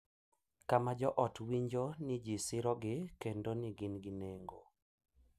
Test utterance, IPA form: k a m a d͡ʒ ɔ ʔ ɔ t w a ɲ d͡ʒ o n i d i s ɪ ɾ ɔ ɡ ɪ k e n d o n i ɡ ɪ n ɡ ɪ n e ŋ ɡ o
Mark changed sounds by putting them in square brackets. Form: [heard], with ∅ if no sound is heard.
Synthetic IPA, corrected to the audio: k a m a d͡ʒ ɔ ʔ ɔ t w [i] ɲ d͡ʒ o n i [d͡ʒ] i s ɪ ɾ ɔ ɡ ɪ k e n d o n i ɡ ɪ n ɡ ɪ n e ŋ ɡ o